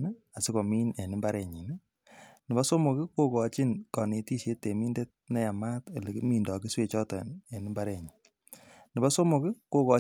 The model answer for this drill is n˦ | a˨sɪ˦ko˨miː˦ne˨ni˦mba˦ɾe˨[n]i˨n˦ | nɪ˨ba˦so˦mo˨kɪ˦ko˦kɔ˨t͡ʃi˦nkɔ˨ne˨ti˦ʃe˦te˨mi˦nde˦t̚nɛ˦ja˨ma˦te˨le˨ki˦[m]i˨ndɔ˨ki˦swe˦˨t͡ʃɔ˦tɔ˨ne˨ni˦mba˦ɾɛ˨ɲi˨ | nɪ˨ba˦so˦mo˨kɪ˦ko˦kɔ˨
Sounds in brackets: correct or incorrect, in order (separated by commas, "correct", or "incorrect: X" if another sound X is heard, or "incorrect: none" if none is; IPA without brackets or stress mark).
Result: incorrect: ɲ, correct